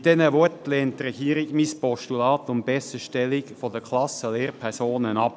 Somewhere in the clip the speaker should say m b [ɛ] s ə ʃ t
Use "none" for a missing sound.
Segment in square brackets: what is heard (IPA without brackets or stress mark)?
ɛ